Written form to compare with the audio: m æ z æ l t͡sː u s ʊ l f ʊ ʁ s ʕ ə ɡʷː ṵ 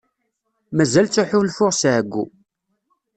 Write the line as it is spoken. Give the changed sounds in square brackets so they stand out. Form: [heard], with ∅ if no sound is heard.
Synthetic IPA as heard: m æ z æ l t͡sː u [ħ] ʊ l f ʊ ʁ s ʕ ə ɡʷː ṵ